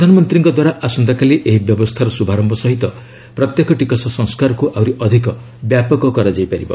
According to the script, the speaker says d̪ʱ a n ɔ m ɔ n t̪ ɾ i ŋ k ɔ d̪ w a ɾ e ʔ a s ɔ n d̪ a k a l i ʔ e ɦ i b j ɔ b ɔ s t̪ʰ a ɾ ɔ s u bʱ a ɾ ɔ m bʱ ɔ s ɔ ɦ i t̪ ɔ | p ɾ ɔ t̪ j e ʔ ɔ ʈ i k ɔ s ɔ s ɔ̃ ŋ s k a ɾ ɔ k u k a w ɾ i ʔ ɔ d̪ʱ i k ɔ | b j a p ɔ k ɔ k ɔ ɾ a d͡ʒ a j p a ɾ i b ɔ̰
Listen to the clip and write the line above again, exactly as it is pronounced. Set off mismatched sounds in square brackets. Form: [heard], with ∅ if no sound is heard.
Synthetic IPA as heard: d̪ʱ a n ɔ m ɔ n t̪ ɾ i ŋ k ɔ d̪ w a ɾ [a] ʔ a s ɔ n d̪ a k a l i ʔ e ɦ i b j ɔ b ɔ s t̪ʰ a ɾ ɔ s u bʱ a ɾ ɔ m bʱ ɔ s ɔ ɦ i t̪ ɔ | p ɾ ɔ t̪ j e [k] ɔ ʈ i k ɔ s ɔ s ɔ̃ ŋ s k a ɾ ɔ k u [ʔ] a w ɾ i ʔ ɔ d̪ʱ i k ɔ | b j a p ɔ k ɔ k ɔ ɾ a d͡ʒ a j p a ɾ i b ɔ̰